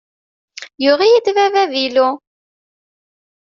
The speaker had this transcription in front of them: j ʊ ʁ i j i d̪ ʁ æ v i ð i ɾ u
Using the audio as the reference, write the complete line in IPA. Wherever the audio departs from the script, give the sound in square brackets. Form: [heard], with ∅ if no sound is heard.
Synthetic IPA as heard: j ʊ ʁ i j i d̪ [v] æ v [æ] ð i [l] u